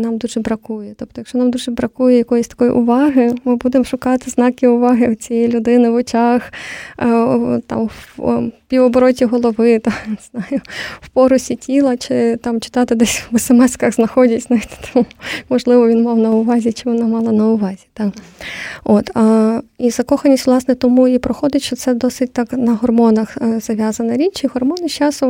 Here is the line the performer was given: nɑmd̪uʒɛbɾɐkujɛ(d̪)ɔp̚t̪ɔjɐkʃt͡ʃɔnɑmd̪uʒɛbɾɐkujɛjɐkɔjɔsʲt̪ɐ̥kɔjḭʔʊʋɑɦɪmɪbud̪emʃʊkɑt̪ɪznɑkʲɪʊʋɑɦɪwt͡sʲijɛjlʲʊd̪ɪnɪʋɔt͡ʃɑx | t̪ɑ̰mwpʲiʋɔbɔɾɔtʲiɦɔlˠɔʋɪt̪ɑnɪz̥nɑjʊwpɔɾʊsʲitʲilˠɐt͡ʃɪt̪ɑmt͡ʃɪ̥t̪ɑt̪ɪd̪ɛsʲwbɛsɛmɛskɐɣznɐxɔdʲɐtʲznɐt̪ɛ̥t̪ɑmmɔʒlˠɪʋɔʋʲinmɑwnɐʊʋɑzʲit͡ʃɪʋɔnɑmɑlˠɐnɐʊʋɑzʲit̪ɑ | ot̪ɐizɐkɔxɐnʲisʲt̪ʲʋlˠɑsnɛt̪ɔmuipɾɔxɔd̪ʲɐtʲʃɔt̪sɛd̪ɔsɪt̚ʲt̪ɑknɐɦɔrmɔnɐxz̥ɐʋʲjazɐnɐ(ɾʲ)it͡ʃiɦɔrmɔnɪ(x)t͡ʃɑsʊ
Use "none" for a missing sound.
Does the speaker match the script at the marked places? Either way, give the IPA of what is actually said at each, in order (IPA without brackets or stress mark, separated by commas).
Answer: t̪, ɾʲ, ʃ